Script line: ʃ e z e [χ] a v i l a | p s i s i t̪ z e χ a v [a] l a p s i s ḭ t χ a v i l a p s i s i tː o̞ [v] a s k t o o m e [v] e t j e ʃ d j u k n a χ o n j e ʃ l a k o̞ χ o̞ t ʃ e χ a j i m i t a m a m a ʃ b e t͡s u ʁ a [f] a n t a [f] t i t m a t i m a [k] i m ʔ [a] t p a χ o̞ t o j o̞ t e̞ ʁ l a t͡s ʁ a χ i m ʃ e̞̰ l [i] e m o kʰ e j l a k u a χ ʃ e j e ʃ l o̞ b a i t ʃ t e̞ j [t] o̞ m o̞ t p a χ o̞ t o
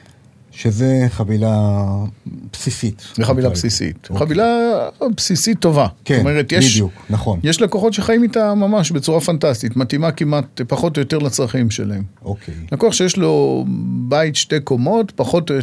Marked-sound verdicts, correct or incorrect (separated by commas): correct, incorrect, correct, incorrect, correct, incorrect, correct, correct, incorrect, incorrect